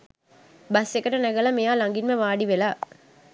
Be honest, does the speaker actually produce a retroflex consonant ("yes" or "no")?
yes